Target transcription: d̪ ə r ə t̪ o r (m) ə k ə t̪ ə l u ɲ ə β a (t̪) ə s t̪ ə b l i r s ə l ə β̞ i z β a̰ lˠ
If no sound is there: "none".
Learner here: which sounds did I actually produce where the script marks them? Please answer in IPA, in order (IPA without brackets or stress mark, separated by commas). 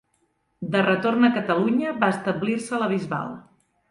n, none